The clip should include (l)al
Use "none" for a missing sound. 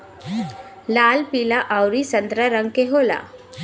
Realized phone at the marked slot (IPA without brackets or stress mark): l